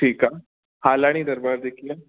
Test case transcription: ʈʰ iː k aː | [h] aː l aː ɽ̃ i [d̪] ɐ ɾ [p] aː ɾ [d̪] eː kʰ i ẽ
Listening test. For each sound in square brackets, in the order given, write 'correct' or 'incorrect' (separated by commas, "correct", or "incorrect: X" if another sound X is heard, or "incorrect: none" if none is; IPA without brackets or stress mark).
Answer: correct, correct, incorrect: b, correct